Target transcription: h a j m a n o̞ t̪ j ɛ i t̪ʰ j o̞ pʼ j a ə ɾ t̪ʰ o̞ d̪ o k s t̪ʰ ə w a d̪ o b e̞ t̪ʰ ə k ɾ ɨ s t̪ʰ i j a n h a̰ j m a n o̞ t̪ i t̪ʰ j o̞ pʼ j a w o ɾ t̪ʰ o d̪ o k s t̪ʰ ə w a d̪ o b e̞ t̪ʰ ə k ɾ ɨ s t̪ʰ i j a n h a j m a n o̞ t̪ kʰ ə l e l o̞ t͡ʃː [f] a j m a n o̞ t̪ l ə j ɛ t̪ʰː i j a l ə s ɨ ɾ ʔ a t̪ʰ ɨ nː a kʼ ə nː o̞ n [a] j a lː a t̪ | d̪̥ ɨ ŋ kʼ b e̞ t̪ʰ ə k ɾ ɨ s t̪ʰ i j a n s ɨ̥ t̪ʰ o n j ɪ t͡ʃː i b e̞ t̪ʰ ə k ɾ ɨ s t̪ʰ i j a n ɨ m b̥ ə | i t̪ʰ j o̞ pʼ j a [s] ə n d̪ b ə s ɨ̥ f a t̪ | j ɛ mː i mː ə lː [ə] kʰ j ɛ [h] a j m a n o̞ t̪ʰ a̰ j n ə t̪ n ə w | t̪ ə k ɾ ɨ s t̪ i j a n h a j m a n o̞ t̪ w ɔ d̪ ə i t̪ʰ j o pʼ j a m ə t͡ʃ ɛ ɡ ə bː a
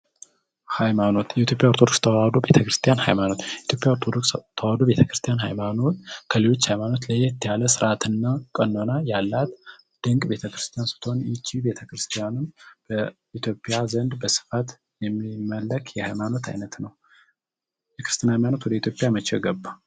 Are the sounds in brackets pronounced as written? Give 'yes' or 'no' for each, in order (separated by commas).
no, yes, no, yes, yes